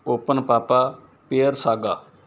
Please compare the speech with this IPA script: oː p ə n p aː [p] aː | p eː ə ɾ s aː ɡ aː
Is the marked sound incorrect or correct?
correct